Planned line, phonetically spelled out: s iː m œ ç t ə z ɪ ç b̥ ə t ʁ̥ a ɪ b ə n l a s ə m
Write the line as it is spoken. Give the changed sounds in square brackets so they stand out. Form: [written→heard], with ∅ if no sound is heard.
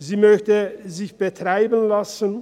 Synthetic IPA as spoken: [s→z] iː m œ ç t ə z ɪ ç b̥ ə t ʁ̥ a ɪ b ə n l a s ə [m→n]